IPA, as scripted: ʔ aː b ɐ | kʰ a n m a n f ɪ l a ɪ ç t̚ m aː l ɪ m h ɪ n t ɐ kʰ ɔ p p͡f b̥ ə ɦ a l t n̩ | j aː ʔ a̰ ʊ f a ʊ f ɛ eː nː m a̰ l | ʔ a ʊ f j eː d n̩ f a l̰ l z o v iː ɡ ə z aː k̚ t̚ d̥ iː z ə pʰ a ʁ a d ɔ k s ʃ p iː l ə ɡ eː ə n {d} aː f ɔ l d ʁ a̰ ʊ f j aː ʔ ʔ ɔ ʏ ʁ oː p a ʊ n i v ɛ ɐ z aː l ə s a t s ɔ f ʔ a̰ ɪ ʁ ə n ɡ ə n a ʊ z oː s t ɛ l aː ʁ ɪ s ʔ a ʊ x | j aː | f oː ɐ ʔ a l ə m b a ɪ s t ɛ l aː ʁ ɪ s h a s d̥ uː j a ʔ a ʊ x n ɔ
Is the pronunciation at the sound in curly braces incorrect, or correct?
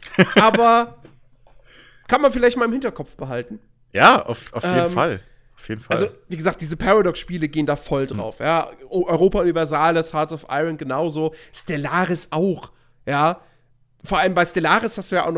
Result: correct